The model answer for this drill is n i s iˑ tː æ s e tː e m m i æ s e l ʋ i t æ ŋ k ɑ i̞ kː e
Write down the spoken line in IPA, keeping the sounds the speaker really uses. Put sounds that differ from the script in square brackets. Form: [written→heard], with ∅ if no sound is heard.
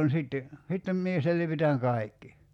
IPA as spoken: n i s iˑ tː [æ→e] s [e→i] tː e m m i [æ→e] s e l ʋ i t æ ŋ k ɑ i̞ kː [e→i]